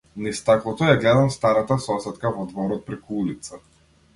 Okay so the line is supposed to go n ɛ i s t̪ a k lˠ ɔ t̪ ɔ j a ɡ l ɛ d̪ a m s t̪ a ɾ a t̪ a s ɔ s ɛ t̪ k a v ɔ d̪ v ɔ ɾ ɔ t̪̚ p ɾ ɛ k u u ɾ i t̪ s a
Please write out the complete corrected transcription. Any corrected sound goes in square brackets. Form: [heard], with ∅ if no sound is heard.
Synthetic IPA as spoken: n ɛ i s t̪ a k lˠ ɔ t̪ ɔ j a ɡ l ɛ d̪ a m s t̪ a ɾ a t̪ a s ɔ s ɛ t̪ k a v ɔ d̪ v ɔ ɾ ɔ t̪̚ p ɾ ɛ k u u [l] i t̪ s a